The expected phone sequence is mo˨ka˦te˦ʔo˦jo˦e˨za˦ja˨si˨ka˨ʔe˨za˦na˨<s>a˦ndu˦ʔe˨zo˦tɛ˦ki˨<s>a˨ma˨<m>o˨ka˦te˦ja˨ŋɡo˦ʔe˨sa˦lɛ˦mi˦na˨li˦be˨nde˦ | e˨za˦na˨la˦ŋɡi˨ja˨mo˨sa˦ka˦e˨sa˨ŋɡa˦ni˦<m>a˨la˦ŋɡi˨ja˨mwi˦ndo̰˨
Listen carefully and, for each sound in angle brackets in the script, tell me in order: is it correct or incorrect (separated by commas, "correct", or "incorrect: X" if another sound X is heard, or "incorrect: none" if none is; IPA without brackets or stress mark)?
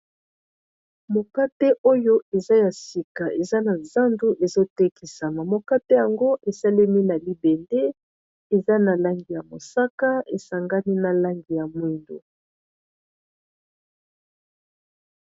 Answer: incorrect: z, correct, correct, incorrect: n